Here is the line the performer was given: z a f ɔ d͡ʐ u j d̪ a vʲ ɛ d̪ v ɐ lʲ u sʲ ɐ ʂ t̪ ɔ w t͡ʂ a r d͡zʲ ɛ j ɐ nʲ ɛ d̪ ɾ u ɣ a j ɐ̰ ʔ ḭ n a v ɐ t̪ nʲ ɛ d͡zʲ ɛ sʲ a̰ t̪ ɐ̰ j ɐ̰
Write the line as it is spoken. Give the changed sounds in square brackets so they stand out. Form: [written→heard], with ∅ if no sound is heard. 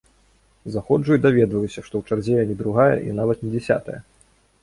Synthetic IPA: z a [f→x] ɔ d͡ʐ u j d̪ a vʲ ɛ d̪ v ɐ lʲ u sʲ ɐ ʂ t̪ ɔ w t͡ʂ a r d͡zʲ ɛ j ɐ nʲ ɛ d̪ ɾ u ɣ a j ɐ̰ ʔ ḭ n a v ɐ t̪ nʲ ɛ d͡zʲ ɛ sʲ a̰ t̪ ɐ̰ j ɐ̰